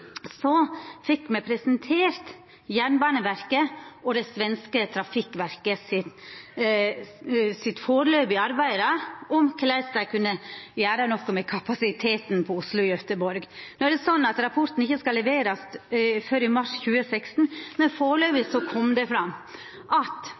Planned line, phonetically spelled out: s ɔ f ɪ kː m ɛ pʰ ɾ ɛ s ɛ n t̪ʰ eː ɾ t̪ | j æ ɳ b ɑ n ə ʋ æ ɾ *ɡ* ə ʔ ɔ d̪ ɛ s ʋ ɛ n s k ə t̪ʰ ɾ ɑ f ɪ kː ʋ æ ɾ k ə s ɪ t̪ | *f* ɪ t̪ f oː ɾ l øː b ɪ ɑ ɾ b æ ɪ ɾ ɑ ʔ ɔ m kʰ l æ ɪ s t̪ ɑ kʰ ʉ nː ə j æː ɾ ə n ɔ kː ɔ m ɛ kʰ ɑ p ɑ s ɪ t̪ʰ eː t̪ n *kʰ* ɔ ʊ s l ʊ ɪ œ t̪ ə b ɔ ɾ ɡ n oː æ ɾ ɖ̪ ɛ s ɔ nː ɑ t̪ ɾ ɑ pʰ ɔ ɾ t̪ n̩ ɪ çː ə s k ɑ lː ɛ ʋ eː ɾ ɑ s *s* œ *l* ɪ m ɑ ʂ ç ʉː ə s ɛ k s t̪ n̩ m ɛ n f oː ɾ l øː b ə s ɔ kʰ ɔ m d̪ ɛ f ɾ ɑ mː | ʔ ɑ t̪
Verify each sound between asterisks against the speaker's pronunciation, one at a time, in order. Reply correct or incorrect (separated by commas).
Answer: incorrect, incorrect, incorrect, incorrect, incorrect